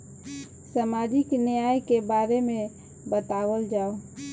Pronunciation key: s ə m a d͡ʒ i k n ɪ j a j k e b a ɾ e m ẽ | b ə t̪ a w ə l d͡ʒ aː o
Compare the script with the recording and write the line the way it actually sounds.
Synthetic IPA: s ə m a d͡ʒ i k n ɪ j a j k e b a ɾ e m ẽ | b ə t̪ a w ə l d͡ʒ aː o